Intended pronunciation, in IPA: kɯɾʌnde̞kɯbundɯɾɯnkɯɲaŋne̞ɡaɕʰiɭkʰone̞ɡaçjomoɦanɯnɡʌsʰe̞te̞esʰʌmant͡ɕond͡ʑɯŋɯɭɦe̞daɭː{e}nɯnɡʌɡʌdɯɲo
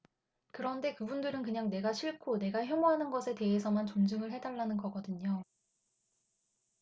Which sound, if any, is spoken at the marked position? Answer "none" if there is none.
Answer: a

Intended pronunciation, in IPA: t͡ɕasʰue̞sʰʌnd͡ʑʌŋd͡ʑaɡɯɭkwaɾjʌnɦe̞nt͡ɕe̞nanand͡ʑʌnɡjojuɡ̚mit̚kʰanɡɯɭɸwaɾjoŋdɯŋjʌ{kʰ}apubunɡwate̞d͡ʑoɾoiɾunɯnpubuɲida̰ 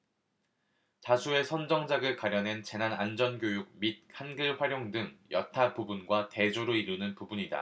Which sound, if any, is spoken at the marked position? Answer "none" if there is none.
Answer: tʰ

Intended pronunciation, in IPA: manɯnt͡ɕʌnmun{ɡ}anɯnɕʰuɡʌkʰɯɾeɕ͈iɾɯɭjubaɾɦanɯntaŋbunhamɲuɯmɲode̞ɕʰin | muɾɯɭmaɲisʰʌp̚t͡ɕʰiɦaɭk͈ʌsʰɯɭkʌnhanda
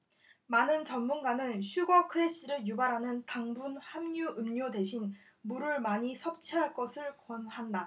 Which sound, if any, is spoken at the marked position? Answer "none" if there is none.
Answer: ɡ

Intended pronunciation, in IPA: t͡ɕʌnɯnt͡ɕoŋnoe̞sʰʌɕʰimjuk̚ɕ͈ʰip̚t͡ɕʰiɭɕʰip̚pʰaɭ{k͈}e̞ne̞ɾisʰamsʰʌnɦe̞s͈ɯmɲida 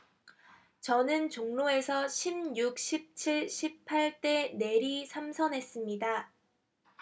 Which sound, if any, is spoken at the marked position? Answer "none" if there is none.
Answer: t͈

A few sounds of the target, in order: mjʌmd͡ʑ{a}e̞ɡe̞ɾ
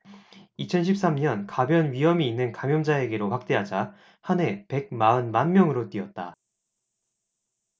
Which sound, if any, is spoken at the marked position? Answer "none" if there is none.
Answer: a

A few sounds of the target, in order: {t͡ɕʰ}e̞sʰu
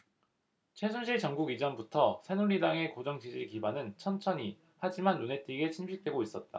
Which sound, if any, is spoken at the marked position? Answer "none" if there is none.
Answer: t͡ɕʰ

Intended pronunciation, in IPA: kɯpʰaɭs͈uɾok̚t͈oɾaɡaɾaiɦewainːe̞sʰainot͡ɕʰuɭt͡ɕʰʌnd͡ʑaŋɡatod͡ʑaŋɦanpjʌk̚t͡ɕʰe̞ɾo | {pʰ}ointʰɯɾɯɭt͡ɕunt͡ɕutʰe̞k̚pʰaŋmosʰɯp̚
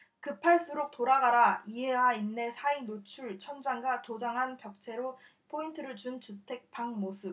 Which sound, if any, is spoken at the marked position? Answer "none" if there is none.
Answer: pʰ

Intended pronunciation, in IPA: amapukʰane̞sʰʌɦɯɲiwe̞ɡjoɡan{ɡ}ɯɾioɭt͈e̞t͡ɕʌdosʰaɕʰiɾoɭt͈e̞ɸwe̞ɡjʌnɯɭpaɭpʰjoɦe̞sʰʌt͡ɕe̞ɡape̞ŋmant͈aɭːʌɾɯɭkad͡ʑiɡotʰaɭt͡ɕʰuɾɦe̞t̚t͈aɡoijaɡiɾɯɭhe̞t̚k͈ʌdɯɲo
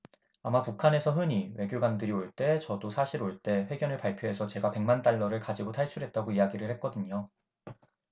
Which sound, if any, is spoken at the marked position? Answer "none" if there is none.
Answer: d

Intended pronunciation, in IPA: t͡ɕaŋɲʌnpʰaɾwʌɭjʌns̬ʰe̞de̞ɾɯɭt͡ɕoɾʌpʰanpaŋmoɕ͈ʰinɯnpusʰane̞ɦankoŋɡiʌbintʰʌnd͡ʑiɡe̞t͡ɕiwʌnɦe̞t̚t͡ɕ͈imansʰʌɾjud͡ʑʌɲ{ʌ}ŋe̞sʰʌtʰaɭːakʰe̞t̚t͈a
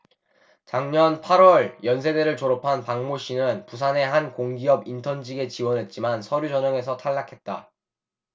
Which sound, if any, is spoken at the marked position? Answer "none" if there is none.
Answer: ʌ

